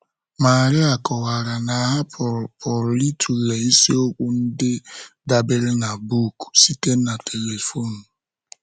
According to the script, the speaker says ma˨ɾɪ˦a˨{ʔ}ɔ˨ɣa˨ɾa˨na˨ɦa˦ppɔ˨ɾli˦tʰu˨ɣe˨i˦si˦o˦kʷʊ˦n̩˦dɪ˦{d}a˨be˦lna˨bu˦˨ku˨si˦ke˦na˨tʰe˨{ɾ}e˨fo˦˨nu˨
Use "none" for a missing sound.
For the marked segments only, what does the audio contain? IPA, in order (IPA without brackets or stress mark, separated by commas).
k, d, l